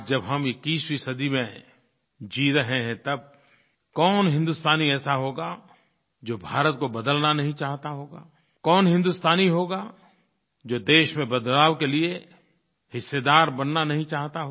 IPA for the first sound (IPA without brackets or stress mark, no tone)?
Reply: d͡ʒ